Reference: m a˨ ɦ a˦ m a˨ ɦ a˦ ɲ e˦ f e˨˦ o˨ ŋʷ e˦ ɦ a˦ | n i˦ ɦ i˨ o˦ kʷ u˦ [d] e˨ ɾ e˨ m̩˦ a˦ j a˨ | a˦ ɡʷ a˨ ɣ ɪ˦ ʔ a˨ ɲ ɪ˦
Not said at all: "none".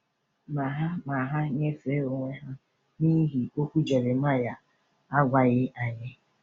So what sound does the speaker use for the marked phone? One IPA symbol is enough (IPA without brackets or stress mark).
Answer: d͡ʒ